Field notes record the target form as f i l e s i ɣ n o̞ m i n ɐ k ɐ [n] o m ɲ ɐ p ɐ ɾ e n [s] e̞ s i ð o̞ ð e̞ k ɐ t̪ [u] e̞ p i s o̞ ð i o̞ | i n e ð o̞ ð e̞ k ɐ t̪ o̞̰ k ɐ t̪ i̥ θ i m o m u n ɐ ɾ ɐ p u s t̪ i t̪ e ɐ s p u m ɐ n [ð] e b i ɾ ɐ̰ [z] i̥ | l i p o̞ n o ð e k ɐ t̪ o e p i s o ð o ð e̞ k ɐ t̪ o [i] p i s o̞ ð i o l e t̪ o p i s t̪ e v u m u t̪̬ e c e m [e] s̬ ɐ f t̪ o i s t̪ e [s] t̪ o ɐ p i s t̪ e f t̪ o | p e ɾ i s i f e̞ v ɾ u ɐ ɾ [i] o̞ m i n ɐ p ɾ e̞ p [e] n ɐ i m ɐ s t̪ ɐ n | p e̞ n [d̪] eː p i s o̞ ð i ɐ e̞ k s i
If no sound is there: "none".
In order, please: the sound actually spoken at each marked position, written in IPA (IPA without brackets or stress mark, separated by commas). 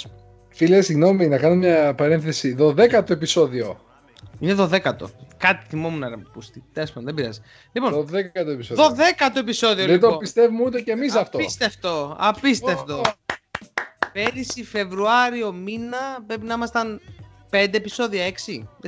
n, θ, o, ð, z, e, i, f, i, i, d̪